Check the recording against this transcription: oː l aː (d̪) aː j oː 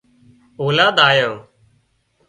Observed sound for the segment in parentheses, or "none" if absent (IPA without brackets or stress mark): d̪